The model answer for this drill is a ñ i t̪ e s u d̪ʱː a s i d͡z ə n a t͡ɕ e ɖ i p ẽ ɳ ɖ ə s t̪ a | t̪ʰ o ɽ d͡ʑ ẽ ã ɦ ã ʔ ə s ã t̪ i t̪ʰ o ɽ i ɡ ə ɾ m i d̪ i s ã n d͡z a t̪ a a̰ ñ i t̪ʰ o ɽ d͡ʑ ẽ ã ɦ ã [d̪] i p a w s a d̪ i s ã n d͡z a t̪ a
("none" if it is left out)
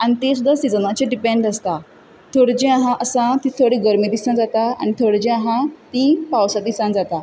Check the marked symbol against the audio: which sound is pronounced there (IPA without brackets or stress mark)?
t̪